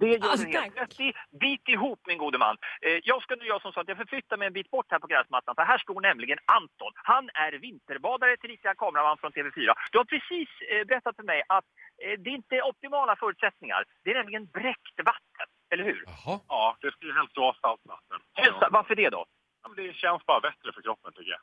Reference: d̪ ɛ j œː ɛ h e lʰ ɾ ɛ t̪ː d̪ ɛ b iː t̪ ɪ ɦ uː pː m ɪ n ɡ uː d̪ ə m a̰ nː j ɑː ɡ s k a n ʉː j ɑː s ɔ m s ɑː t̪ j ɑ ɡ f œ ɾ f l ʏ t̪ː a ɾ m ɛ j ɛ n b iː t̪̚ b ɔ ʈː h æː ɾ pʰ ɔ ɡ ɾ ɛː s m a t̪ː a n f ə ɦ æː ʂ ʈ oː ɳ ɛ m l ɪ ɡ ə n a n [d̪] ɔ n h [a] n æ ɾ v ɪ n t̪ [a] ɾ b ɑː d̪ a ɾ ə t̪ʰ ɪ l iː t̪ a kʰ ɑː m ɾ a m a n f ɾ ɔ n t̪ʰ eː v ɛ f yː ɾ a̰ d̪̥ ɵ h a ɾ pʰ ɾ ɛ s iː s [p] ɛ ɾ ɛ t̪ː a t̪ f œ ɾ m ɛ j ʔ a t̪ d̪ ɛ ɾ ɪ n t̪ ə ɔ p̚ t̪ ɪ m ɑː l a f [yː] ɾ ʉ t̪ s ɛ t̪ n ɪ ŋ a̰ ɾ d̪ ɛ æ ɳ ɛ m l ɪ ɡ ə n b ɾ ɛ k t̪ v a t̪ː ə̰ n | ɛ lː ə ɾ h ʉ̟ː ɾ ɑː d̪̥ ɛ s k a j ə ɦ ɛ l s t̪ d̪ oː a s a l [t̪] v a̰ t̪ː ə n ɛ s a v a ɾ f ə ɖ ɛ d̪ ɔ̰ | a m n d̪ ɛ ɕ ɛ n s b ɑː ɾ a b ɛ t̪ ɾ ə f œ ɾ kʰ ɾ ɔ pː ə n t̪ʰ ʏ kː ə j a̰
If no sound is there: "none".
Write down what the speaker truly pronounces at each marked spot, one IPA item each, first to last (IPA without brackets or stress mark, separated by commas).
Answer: t̪, a, ə, b, œː, t̪